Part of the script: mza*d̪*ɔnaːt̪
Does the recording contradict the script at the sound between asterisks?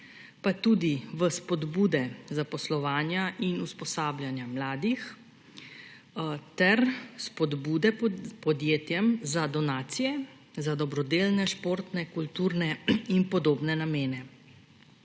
no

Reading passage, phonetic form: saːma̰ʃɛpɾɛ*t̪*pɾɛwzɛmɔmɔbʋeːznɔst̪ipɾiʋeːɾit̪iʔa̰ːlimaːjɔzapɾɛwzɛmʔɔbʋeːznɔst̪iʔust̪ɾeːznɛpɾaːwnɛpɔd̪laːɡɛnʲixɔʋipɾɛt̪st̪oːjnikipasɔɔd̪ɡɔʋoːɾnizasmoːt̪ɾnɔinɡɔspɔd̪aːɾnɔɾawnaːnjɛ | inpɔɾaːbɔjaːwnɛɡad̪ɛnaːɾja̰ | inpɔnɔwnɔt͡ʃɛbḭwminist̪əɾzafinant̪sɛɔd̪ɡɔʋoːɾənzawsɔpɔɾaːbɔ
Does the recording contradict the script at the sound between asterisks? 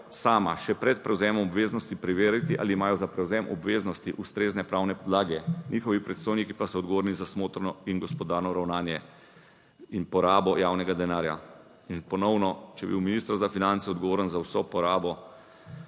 no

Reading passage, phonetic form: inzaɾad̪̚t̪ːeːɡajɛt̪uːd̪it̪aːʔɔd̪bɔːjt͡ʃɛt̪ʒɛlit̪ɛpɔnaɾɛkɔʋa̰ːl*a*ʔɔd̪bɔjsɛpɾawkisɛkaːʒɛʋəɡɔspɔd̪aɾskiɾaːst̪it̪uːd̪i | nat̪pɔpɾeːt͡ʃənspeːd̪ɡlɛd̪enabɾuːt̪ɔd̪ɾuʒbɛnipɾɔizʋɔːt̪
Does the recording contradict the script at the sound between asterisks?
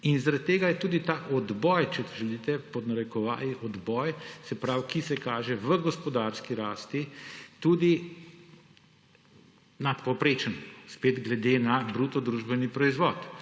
yes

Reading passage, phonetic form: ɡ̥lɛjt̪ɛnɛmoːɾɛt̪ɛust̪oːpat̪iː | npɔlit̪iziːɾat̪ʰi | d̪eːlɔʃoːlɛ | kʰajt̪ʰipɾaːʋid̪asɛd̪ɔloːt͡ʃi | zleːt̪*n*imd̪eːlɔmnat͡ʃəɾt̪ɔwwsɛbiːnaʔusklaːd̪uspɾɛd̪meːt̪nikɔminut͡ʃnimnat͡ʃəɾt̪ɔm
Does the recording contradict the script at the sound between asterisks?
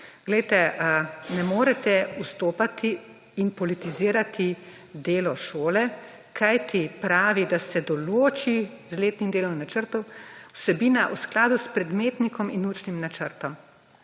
no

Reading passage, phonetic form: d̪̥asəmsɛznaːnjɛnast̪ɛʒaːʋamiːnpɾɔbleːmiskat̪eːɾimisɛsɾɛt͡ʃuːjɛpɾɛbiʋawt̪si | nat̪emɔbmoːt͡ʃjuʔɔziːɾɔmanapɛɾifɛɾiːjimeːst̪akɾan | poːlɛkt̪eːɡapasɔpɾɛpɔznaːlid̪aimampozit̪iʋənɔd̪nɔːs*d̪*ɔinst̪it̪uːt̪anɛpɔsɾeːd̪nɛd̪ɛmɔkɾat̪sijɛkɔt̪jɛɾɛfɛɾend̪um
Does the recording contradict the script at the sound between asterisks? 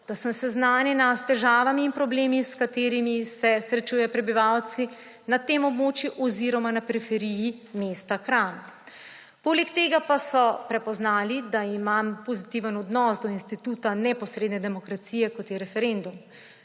no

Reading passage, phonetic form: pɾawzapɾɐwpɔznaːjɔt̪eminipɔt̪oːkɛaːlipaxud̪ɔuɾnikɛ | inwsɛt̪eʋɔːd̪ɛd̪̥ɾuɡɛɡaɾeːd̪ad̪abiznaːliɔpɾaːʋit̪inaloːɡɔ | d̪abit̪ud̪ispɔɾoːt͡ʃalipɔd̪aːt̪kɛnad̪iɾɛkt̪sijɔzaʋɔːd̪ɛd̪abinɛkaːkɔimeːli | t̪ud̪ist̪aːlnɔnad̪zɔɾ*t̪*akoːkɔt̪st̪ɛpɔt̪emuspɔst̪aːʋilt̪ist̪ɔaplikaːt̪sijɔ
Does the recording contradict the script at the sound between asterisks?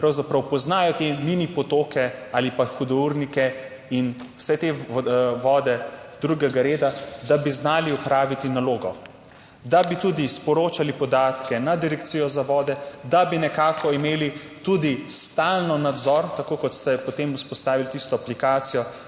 no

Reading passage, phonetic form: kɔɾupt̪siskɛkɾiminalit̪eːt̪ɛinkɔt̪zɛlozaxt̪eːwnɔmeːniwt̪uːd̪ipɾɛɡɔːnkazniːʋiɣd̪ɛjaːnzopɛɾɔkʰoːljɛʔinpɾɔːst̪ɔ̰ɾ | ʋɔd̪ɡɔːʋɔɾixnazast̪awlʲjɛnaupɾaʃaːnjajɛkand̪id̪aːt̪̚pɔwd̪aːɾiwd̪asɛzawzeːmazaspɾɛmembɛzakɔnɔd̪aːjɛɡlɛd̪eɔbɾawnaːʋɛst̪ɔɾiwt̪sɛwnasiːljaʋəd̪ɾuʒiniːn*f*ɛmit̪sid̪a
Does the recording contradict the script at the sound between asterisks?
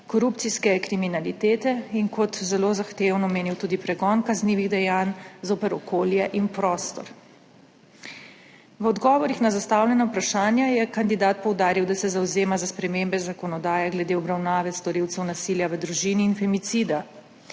no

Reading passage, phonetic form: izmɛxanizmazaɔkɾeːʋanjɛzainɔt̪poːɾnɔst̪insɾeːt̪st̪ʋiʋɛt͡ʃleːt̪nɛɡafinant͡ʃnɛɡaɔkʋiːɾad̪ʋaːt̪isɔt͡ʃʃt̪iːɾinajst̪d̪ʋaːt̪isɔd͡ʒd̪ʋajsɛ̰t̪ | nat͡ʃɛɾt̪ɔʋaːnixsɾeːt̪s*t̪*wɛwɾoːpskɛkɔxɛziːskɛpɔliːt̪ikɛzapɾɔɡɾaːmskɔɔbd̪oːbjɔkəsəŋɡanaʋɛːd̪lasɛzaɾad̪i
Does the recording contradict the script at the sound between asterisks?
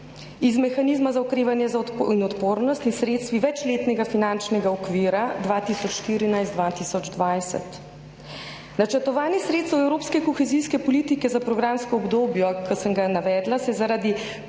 no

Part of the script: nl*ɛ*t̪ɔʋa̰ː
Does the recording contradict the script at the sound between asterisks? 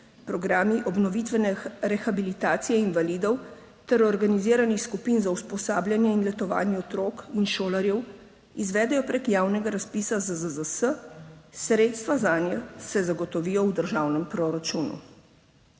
no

